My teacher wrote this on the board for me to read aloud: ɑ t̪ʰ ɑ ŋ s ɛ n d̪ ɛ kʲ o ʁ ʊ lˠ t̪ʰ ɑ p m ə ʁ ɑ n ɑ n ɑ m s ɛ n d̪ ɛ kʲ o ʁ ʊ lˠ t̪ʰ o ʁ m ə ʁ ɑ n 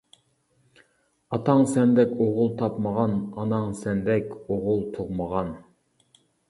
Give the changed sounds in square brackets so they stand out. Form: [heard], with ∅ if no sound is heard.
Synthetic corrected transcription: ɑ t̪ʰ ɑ ŋ s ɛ n d̪ ɛ kʲ o ʁ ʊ lˠ t̪ʰ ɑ p m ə ʁ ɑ n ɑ n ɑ [ŋ] s ɛ n d̪ ɛ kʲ o ʁ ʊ lˠ t̪ʰ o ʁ m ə ʁ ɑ n